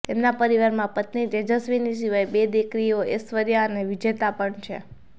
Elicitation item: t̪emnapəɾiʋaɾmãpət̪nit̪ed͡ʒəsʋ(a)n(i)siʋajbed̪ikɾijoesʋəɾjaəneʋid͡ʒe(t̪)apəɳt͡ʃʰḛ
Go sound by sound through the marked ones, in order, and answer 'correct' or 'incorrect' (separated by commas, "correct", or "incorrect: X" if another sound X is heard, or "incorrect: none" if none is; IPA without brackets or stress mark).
incorrect: i, correct, correct